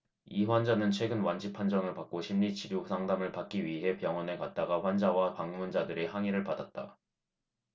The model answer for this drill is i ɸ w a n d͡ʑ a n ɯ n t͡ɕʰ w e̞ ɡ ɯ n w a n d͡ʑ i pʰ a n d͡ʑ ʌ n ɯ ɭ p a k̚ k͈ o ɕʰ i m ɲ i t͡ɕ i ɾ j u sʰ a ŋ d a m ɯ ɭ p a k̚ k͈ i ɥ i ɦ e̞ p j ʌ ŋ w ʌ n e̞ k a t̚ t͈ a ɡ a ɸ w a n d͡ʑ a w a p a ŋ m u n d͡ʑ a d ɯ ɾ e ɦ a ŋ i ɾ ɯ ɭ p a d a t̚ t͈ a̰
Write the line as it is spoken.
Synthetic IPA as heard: i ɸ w a n d͡ʑ a n ɯ n t͡ɕʰ w e̞ ɡ ɯ n w a n d͡ʑ i pʰ a n d͡ʑ ʌ ŋ ɯ ɭ p a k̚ k͈ o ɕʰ i m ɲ i t͡ɕ i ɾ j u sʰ a ŋ d a m ɯ ɭ p a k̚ k͈ i ɥ i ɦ e̞ p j ʌ ŋ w ʌ n e̞ k a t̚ t͈ a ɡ a ɸ w a n d͡ʑ a w a p a ŋ m u n d͡ʑ a d ɯ ɾ e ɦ a ŋ i ɾ ɯ ɭ p a d a t̚ t͈ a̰